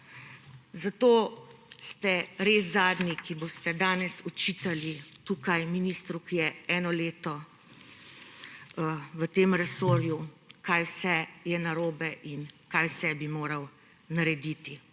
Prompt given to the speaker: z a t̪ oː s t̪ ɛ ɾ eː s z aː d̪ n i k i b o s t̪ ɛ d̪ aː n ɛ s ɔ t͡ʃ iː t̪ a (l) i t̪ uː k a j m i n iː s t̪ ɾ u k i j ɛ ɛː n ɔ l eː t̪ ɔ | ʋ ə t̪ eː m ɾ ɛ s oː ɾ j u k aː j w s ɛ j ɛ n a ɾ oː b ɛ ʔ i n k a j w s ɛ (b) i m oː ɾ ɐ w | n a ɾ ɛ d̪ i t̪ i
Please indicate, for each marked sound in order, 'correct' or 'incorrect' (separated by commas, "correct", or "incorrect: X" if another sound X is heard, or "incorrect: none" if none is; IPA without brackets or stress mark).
correct, correct